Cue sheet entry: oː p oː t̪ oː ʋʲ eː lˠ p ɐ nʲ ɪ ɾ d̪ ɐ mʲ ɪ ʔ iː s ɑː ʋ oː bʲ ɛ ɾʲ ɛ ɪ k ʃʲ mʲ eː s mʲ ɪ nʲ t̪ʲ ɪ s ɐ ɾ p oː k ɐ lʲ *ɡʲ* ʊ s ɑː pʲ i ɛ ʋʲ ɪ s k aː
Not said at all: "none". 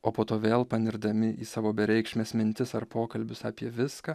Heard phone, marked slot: bʲ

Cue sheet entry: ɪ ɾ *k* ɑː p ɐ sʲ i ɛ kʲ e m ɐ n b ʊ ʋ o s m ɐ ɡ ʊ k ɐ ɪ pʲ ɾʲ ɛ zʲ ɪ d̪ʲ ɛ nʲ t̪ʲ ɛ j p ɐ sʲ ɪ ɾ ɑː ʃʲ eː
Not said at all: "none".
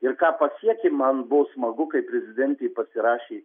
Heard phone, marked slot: k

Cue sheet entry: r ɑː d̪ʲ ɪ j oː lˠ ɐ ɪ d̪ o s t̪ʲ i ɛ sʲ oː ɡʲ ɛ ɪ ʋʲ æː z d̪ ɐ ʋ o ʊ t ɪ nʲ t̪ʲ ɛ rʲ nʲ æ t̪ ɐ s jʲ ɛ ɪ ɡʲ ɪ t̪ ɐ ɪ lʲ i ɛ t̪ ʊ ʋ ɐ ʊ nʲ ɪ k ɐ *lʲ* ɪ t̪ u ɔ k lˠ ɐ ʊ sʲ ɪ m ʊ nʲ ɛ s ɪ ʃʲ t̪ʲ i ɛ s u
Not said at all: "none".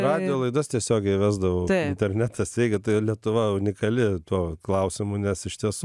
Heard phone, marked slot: lʲ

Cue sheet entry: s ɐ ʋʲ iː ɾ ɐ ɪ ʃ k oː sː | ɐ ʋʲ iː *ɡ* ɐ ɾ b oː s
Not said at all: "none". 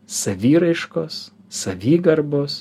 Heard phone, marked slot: ɡ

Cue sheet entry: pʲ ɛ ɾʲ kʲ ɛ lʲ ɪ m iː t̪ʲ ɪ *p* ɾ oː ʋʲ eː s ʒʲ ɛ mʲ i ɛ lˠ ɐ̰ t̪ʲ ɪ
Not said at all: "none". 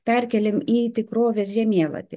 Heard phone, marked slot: k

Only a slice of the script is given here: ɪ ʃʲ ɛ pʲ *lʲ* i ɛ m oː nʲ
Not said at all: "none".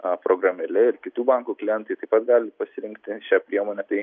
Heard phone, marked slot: ɾʲ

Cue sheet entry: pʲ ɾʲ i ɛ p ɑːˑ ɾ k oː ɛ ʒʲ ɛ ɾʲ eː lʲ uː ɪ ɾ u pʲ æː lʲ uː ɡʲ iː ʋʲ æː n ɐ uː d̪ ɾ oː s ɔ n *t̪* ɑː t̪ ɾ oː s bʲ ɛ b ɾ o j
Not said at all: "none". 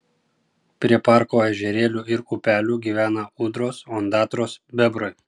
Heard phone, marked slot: d̪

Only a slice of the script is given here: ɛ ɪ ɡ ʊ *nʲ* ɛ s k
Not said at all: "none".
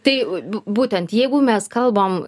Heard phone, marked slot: mʲ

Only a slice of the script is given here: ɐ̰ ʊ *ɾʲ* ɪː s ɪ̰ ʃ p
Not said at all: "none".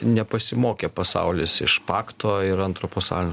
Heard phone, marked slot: lʲ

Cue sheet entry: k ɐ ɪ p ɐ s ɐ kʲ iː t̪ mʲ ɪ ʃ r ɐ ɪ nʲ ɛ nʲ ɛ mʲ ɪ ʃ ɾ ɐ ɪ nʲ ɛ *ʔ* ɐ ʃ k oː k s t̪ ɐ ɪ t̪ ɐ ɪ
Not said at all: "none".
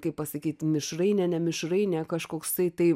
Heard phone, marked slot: k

